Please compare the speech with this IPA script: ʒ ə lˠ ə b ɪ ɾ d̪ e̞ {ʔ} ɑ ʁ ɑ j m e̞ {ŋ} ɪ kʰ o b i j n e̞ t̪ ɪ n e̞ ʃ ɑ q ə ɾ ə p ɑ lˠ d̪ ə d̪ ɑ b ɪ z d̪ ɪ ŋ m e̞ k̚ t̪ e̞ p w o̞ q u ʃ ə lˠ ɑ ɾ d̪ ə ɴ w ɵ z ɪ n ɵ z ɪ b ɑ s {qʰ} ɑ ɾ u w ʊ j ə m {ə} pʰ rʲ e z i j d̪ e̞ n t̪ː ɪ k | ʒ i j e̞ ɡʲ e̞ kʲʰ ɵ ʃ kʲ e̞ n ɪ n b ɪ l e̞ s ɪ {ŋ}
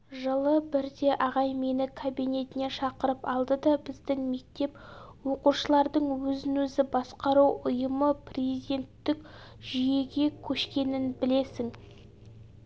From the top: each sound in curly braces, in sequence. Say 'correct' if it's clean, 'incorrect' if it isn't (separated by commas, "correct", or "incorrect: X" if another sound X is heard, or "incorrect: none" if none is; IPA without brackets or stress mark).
correct, incorrect: n, incorrect: q, correct, correct